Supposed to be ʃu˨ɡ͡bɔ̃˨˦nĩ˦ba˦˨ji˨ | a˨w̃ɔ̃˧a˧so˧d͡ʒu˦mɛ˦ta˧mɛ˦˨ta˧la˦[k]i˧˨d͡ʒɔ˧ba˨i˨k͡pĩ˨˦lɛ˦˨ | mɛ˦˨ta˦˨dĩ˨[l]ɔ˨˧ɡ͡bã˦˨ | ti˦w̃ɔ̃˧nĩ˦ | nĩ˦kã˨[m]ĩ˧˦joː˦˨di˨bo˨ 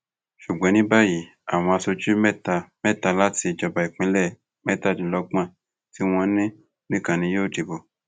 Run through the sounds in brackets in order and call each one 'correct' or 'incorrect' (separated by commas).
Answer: incorrect, correct, incorrect